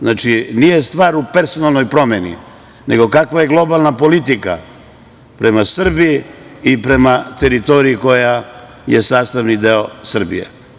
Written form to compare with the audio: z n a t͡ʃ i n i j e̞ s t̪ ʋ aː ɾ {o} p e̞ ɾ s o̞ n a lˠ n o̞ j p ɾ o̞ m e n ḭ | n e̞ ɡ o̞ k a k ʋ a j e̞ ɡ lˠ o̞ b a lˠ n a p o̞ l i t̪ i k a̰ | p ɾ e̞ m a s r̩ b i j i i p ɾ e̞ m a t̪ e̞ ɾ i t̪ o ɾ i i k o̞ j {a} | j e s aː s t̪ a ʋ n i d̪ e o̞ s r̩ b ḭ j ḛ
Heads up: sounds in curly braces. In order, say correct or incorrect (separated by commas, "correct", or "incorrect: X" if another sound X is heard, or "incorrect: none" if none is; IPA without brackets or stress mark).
incorrect: u, correct